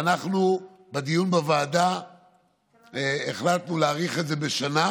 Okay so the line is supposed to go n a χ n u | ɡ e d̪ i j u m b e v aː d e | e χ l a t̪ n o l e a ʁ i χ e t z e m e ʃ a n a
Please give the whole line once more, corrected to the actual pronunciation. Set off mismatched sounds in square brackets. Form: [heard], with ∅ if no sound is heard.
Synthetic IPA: n a χ n u | [b] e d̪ i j u [n] b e v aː d [a] | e χ l a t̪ n [u] l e a ʁ i χ e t z e [b] e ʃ a n a